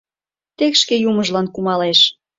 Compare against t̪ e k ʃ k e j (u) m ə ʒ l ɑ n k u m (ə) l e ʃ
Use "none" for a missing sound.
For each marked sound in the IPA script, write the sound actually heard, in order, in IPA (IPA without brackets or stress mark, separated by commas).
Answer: u, ɑ